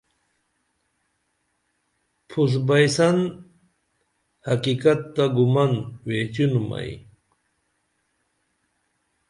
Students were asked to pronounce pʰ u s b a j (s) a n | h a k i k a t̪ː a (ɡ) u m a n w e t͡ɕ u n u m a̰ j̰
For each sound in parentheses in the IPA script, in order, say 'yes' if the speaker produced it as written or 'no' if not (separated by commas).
yes, yes